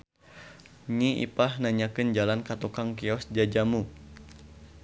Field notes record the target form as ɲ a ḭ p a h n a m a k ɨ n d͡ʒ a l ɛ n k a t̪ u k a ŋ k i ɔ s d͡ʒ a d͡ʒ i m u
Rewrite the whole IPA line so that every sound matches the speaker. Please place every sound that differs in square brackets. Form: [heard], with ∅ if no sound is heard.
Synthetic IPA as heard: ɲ [i] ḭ p a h n a [ɲ] a k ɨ n d͡ʒ a l [a] n k a t̪ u k a ŋ k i ɔ s d͡ʒ a d͡ʒ [a] m u